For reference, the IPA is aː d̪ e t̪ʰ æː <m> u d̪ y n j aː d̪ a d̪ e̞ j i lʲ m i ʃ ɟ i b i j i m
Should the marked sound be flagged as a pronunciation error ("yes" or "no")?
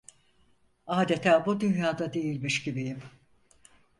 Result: yes